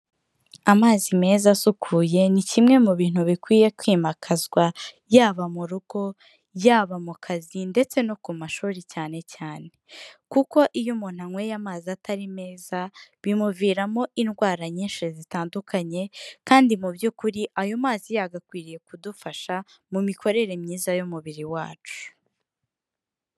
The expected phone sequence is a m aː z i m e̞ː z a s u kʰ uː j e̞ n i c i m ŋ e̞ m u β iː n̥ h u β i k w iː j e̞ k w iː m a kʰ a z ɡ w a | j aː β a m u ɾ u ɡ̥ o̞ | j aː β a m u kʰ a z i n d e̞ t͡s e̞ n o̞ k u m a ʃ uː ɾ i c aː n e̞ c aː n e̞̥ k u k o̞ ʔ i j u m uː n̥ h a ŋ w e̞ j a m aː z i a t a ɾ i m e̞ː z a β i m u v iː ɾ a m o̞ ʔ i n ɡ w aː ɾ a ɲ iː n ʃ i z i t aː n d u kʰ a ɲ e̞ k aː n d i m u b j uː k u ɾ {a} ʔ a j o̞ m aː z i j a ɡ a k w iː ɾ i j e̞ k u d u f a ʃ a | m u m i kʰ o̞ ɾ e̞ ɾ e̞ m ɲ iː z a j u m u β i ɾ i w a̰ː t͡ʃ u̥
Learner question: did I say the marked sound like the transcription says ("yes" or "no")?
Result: no